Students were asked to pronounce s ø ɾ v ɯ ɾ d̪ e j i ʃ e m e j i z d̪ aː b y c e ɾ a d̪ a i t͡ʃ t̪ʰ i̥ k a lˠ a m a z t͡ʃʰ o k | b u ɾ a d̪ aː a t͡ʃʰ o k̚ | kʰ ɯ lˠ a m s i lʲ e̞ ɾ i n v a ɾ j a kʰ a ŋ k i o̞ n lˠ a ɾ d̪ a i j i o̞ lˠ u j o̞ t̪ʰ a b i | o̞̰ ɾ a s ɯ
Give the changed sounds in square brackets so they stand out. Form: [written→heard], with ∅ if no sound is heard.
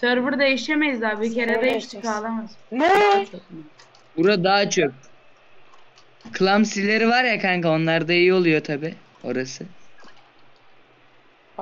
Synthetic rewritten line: s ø ɾ v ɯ ɾ d̪ e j i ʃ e m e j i z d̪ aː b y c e ɾ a d̪ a i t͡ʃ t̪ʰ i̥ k a lˠ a m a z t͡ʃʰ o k | b u ɾ a d̪ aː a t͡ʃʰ o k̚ | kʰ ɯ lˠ a m s i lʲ e̞ ɾ i [n→∅] v a ɾ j a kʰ a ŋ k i o̞ n lˠ a ɾ d̪ a i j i o̞ lˠ u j o̞ t̪ʰ a b i | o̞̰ ɾ a s ɯ